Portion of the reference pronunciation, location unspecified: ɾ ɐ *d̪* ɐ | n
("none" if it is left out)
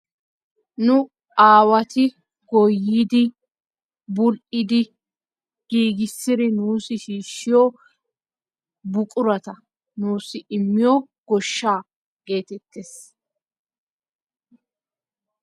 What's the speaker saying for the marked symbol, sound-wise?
t̪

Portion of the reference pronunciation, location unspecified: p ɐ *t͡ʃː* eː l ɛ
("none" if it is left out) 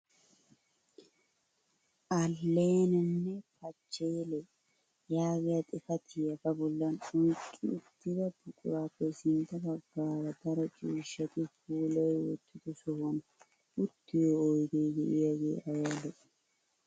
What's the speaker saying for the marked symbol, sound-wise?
t͡ʃː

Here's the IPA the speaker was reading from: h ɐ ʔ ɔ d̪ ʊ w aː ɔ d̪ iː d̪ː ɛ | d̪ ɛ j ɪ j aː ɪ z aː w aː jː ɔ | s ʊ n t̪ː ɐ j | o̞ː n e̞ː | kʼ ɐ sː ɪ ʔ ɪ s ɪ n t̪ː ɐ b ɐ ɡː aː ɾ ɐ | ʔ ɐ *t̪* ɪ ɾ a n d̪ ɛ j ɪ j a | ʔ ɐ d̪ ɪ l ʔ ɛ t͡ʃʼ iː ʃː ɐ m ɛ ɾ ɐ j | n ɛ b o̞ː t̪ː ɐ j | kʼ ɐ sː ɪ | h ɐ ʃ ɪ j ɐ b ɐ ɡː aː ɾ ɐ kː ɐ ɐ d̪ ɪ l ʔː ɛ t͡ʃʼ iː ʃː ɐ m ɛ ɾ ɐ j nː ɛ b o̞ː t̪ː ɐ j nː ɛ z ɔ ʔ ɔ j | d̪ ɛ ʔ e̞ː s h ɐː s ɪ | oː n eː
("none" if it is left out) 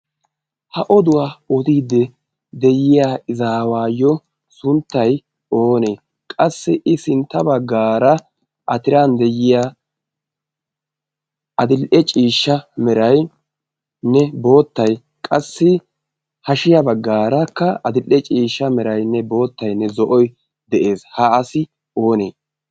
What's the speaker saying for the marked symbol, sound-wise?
t̪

